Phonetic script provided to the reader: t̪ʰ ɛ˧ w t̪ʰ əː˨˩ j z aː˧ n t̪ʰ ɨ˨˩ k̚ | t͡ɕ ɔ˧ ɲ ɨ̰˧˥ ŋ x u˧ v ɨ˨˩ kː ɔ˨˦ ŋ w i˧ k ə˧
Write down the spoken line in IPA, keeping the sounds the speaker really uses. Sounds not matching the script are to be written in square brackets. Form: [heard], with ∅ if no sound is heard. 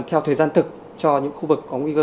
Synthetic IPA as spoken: t̪ʰ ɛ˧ w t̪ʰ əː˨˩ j z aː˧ n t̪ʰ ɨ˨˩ k̚ | t͡ɕ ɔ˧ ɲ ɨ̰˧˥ ŋ x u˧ v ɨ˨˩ kː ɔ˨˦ ŋ w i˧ k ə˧